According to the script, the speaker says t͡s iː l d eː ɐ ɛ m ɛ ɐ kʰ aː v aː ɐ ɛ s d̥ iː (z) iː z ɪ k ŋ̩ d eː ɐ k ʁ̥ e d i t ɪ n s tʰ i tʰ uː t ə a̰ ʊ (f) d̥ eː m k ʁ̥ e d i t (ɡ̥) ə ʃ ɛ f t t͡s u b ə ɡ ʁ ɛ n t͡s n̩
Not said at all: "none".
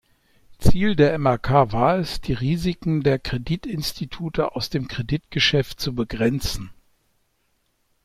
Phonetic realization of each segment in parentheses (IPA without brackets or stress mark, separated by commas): ʁ, s, ɡ̥